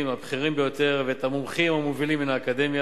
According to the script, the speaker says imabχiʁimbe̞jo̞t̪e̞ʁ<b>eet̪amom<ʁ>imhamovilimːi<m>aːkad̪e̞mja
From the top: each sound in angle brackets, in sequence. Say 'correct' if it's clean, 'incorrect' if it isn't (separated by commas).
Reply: incorrect, incorrect, incorrect